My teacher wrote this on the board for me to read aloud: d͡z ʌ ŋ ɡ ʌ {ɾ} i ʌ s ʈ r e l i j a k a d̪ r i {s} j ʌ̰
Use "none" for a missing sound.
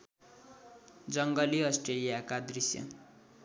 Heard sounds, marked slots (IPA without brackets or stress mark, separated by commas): l, s